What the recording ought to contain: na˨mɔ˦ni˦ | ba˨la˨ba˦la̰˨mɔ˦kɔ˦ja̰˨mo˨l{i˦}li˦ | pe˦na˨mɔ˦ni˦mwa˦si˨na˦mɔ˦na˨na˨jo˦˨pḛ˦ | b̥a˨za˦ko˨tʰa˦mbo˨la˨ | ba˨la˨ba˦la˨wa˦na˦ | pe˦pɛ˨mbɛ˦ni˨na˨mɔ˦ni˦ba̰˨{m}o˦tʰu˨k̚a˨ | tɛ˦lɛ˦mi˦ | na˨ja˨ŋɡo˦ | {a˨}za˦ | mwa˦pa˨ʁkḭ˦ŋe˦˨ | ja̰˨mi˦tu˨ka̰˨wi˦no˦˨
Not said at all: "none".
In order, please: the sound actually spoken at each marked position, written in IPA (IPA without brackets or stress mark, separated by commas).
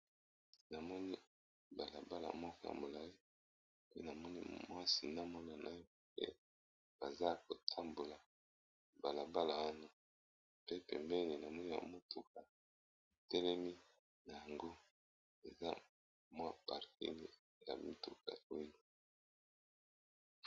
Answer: a˦, m, e˨